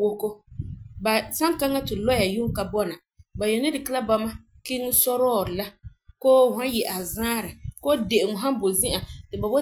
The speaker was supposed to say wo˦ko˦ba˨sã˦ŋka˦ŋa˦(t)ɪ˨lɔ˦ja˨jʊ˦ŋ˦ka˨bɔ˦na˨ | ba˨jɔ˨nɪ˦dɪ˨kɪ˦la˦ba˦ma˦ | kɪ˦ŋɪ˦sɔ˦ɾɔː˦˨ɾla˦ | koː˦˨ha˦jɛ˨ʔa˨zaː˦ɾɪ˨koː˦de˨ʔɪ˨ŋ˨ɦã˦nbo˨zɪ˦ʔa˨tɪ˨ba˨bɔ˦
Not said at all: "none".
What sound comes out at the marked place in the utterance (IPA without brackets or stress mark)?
t